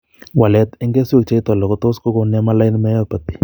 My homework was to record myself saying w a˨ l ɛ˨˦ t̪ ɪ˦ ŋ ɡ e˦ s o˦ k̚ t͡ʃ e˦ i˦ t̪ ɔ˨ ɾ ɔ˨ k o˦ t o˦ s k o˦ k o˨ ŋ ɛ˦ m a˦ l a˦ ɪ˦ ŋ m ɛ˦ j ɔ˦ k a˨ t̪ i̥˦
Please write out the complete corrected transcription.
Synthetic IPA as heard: w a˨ l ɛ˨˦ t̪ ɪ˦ ŋ ɡ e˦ s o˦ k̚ t͡ʃ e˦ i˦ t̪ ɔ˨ l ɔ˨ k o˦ t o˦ s k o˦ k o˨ n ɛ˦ m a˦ l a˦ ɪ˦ n m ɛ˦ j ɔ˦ p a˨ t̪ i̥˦